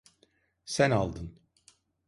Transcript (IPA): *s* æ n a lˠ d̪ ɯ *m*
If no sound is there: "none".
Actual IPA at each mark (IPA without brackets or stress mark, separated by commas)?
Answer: s, n